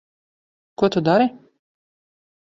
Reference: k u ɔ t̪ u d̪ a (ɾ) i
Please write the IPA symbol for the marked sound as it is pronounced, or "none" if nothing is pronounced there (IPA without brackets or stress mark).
ɾ